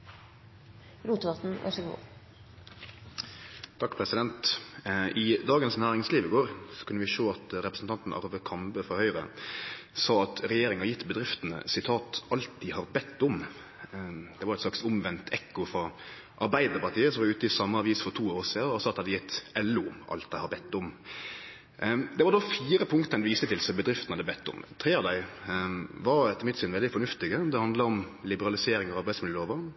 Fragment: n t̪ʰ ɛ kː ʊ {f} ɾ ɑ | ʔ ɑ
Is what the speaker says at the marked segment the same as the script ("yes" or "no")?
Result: yes